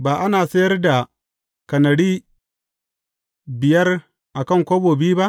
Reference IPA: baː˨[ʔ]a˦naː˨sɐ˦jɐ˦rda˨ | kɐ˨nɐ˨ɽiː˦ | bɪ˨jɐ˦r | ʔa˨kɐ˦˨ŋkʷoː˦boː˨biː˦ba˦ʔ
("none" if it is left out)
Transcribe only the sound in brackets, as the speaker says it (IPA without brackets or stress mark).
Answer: ʔ